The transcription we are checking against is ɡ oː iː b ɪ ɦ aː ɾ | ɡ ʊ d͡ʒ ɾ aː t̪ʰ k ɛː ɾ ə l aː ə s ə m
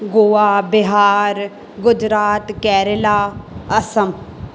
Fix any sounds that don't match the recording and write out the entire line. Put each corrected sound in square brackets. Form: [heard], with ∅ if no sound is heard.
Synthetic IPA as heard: ɡ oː [aː] b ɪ ɦ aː ɾ | ɡ ʊ d͡ʒ ɾ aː [t̪] k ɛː ɾ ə l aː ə s ə m